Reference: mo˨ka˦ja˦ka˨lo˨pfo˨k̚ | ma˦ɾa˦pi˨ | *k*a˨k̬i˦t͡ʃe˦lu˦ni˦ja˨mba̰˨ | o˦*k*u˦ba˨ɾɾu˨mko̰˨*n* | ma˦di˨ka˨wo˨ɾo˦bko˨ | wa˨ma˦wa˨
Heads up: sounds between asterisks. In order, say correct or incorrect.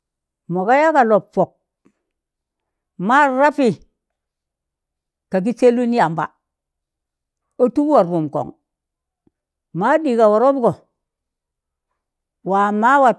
correct, incorrect: t, incorrect: ŋ

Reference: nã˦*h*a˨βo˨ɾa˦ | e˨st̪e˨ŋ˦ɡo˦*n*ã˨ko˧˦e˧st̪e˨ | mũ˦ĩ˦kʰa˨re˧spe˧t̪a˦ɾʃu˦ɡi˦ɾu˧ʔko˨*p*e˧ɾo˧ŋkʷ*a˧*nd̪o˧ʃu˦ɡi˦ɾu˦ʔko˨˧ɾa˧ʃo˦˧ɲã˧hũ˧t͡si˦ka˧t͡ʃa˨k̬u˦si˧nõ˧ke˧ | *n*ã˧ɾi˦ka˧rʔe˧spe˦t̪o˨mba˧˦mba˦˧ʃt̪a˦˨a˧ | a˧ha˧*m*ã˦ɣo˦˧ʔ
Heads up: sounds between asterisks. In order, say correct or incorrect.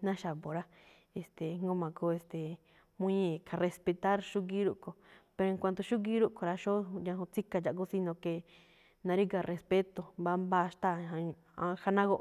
incorrect: ʃ, incorrect: m, correct, correct, correct, incorrect: n

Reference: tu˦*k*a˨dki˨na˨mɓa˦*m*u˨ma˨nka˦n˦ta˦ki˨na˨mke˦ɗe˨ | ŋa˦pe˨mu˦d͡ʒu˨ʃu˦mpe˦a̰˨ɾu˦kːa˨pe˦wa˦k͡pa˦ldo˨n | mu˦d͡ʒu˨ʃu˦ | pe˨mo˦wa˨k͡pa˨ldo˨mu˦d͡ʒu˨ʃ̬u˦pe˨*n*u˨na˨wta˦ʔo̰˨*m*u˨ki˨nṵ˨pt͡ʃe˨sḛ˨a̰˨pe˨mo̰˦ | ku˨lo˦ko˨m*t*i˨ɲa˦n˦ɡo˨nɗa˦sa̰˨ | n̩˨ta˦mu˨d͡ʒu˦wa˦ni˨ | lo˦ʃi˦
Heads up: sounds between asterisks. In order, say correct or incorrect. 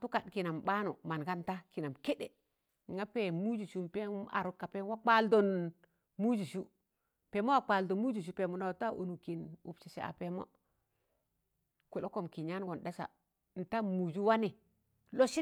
correct, incorrect: n, incorrect: m, incorrect: n, incorrect: k

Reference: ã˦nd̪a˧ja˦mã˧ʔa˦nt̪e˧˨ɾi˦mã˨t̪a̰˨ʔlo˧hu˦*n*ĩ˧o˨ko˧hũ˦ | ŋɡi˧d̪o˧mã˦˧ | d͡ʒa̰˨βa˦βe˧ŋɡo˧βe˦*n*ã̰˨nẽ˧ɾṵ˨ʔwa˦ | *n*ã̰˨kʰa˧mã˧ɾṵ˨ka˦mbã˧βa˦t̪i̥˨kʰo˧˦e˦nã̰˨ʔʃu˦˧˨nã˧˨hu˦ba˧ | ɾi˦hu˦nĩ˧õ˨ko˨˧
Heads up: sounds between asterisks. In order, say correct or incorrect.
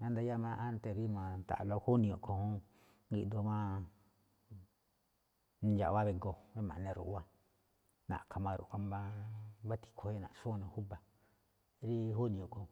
correct, incorrect: m, correct

